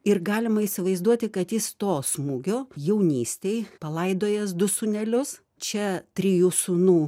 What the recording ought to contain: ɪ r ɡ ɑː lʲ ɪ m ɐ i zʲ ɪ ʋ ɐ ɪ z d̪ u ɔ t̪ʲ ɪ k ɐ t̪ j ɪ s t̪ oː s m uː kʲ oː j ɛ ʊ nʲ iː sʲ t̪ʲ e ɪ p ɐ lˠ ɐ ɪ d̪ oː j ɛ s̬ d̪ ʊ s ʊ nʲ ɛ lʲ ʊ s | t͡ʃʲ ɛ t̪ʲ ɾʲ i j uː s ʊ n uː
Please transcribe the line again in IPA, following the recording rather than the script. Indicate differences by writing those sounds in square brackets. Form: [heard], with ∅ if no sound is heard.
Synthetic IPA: ɪ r ɡ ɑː lʲ ɪ m ɐ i [sʲ] ɪ ʋ ɐ ɪ z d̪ u ɔ t̪ʲ ɪ k ɐ t̪ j ɪ s t̪ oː s m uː [ɡʲ] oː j ɛ ʊ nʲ iː sʲ t̪ʲ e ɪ p ɐ lˠ ɐ ɪ d̪ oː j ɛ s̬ d̪ ʊ s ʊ nʲ ɛ lʲ ʊ s | t͡ʃʲ ɛ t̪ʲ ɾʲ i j uː s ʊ n uː